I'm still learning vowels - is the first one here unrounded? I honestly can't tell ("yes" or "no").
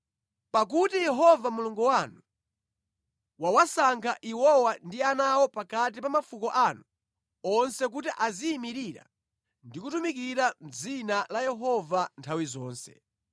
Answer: yes